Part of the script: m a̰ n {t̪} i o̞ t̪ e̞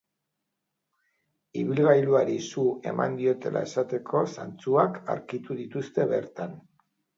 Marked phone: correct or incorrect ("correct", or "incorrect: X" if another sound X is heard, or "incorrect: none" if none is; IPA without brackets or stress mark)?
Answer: incorrect: d̪